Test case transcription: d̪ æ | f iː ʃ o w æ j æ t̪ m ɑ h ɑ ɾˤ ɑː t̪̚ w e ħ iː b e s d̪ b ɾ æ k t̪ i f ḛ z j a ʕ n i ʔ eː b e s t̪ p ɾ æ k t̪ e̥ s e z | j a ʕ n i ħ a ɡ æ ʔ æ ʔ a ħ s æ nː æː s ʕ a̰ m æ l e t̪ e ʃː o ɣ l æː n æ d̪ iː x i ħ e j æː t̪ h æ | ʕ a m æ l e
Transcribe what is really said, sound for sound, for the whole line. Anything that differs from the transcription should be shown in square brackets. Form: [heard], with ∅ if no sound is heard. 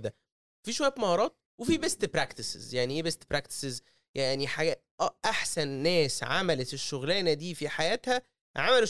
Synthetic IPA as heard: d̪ æ | f iː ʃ o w æ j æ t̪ m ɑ h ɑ ɾˤ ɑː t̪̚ w e [f] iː b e s [t̪] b ɾ æ k t̪ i [s] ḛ z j a ʕ n i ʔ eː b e s t̪ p ɾ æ k t̪ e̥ s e z | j a ʕ n i ħ a ɡ æ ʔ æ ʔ a ħ s æ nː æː s ʕ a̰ m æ l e t̪ e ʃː o ɣ l æː n æ d̪ iː [f] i ħ [a] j æː t̪ h æ | ʕ a m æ l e